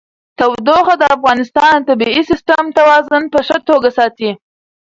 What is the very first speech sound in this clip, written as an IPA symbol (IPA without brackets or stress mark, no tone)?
t̪